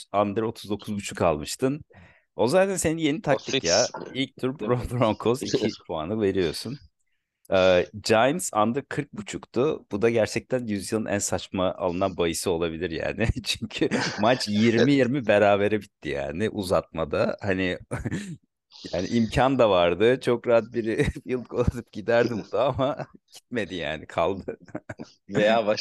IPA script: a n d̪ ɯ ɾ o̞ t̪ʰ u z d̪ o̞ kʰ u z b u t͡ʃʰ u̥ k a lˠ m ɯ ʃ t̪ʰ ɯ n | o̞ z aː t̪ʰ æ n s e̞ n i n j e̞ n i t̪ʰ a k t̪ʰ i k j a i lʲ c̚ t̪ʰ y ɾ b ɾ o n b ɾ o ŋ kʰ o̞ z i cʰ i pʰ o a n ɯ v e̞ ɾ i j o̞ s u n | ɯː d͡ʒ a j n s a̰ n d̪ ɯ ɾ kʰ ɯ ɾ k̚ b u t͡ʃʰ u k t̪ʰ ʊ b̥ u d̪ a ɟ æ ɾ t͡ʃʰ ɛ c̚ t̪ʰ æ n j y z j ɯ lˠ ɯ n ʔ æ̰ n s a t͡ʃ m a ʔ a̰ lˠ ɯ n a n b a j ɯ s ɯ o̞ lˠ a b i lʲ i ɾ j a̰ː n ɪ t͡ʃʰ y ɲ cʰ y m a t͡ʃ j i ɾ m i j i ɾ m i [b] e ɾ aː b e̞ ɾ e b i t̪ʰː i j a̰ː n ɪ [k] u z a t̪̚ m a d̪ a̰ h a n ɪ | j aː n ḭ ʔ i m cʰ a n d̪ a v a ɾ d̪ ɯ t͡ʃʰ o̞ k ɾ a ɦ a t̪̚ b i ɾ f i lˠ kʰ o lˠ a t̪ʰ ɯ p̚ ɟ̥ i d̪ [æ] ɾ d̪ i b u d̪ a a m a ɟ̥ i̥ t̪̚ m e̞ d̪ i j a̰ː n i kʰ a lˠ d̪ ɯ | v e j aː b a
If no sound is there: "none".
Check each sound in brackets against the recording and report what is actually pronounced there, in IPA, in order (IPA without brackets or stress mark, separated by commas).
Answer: b, ʔ, æ